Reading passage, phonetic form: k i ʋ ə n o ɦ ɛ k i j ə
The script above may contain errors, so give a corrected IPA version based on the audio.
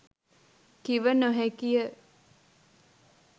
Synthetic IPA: k i ʋ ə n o ɦ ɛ k i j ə